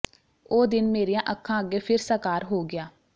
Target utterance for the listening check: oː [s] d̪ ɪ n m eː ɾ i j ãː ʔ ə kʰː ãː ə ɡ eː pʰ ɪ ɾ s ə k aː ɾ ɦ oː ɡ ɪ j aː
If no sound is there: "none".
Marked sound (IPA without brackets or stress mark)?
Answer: none